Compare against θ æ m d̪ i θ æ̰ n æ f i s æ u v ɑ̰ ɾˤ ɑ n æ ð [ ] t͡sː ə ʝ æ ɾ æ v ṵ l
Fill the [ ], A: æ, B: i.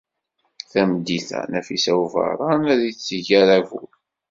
B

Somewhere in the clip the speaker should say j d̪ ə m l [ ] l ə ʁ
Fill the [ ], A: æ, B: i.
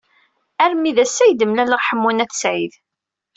A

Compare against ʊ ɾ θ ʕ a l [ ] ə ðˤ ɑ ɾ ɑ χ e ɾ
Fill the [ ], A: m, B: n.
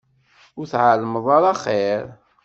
A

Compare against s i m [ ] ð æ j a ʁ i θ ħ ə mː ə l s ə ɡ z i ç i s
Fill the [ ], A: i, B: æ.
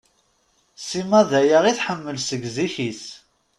B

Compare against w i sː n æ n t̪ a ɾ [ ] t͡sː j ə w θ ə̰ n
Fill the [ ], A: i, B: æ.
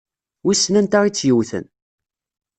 A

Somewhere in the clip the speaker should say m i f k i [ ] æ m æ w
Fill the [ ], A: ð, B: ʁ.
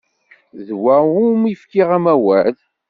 B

